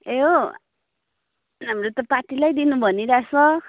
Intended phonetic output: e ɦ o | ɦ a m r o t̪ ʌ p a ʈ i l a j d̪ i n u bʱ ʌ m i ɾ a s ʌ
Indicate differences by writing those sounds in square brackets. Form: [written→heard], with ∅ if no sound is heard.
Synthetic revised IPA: e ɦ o | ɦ a m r o t̪ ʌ p a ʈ i l a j d̪ i n u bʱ ʌ [m→n] i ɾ a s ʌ